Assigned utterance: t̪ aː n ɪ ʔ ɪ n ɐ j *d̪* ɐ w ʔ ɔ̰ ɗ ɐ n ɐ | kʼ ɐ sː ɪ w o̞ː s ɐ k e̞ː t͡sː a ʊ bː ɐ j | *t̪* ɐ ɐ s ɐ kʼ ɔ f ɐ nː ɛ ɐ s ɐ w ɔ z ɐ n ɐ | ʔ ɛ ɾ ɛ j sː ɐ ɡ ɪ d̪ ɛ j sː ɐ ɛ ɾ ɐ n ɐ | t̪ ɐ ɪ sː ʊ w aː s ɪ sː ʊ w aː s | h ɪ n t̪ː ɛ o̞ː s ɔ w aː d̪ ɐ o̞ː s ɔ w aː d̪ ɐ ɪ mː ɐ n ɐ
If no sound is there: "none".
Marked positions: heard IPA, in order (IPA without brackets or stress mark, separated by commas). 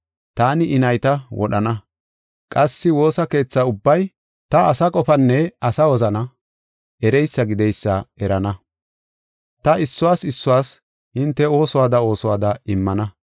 t̪, t̪